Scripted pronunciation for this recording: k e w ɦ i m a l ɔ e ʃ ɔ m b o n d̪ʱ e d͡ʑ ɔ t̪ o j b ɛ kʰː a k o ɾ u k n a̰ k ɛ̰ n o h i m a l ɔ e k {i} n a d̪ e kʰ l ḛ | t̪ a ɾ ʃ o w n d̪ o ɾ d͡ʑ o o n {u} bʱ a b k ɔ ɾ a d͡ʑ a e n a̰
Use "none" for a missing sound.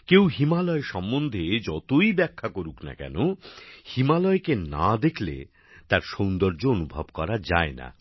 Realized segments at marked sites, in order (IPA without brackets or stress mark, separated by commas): e, u